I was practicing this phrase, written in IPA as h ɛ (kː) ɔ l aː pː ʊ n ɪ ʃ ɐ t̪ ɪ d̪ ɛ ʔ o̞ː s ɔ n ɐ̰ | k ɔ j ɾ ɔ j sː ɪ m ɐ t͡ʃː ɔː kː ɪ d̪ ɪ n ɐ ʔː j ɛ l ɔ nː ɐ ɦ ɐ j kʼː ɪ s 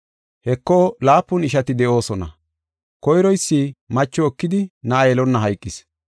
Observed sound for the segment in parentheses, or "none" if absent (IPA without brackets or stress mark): kː